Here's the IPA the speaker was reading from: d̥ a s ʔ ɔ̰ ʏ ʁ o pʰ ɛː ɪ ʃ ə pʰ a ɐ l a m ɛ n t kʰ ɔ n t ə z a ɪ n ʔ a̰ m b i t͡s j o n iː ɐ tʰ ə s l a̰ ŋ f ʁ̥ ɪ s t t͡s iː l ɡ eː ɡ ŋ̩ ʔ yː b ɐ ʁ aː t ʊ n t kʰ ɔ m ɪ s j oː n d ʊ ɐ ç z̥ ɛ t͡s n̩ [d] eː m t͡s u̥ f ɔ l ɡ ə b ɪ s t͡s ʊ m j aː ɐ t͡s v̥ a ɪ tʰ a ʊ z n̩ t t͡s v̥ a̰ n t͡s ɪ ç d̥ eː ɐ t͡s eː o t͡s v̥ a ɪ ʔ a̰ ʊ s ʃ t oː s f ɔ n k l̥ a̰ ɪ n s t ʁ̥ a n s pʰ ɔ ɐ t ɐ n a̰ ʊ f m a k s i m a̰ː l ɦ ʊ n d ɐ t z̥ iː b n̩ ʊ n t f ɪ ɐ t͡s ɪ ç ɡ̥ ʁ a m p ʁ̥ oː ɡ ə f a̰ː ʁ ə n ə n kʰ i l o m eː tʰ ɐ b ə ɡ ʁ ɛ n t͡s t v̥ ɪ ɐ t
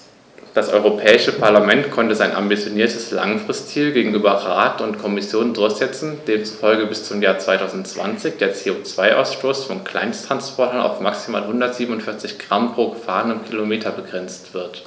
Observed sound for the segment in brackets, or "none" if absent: d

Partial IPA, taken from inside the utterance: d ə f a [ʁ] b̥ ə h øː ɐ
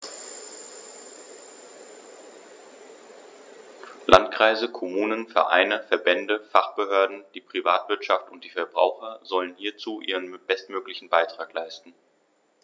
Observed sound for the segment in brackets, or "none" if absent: χ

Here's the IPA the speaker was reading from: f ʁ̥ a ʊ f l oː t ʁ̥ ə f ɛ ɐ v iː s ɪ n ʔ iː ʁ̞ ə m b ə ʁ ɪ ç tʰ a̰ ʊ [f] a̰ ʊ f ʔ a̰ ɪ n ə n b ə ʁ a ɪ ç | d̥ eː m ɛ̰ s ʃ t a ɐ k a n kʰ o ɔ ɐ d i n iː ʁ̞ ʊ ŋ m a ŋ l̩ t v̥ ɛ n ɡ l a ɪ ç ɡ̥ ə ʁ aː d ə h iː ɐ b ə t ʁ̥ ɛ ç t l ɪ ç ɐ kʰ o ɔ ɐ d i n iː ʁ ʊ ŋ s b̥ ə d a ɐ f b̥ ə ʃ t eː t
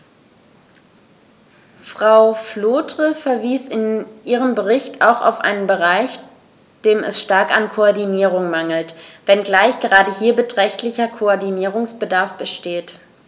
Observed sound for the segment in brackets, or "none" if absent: x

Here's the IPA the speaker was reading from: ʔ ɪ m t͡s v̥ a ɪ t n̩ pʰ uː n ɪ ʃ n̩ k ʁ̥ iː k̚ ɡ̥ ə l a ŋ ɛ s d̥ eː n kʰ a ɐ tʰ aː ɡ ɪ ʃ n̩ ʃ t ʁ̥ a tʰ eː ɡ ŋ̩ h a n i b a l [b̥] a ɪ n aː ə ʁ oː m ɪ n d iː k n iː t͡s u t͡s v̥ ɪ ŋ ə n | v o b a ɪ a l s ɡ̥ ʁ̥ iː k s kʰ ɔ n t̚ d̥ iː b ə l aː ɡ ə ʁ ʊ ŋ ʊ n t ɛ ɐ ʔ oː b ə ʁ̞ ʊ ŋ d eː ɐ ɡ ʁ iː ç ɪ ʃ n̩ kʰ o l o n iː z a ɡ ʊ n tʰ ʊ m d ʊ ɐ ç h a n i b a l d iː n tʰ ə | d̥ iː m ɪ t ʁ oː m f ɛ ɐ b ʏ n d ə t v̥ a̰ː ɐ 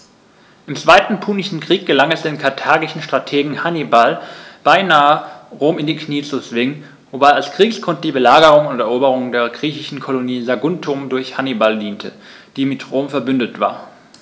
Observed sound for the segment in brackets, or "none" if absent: b̥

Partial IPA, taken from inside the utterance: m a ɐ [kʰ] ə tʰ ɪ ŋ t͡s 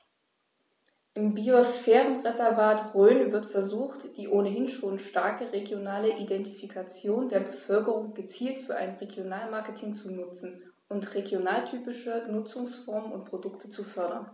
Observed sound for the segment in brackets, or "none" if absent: k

